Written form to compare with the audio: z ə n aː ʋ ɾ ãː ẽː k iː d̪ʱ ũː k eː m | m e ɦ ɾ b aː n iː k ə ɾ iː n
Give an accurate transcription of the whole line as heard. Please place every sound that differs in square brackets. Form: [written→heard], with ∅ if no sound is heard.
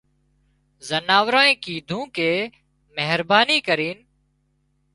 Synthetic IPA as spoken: z ə n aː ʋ ɾ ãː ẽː k iː d̪ʱ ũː k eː [m→∅] | m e ɦ ɾ b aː n iː k ə ɾ iː n